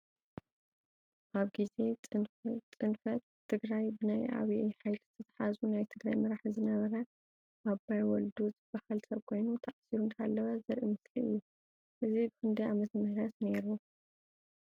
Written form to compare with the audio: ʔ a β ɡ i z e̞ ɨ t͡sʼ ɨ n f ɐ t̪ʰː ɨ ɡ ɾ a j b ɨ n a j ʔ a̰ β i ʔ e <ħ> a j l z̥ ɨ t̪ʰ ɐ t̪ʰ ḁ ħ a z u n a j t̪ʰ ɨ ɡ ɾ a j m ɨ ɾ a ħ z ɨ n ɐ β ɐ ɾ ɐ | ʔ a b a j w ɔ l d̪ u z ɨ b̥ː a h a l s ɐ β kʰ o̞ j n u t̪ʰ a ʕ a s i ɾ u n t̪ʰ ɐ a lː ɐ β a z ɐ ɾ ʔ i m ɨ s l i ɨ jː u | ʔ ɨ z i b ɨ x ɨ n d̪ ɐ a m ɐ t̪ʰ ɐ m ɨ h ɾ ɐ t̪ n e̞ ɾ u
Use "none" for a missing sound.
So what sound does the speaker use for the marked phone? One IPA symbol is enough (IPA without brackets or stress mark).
ħ